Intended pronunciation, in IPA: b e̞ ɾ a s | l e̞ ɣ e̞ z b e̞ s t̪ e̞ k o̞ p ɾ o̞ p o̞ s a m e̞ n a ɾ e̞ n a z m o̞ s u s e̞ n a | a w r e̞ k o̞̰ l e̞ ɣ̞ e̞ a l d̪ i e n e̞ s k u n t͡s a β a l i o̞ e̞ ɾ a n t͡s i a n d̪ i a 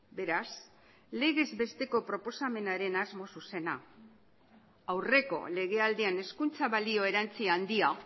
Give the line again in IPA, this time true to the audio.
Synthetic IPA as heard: b e̞ ɾ a s | l e̞ ɣ e̞ z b e̞ s t̪ e̞ k o̞ p ɾ o̞ p o̞ s a m e̞ n a ɾ e̞ n a z m o̞ s u s e̞ n a | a w r e̞ k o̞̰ l e̞ ɣ̞ e̞ a l d̪ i a n e̞ s k u n t͡s a β a l i o̞ e̞ ɾ a n t͡s i a n d̪ i a